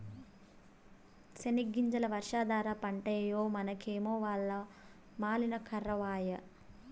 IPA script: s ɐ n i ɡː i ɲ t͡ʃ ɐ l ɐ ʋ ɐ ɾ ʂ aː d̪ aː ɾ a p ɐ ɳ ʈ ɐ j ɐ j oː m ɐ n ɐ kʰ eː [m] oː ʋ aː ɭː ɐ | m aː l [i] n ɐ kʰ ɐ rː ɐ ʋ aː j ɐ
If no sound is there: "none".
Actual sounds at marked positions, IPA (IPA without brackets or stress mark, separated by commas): m, i